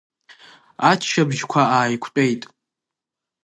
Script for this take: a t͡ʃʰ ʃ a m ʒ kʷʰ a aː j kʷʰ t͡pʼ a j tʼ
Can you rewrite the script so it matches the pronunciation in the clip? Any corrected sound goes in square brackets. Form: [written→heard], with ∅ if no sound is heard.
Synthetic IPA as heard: a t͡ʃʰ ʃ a [m→b] ʒ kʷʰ a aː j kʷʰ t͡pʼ [a→e] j tʼ